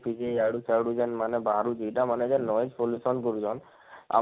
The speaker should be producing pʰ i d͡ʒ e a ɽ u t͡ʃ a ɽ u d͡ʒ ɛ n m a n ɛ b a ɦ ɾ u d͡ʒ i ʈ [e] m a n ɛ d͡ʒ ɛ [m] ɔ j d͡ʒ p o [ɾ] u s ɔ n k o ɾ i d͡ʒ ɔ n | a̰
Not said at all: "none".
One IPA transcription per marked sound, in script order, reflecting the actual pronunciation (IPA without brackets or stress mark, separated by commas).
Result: a, n, l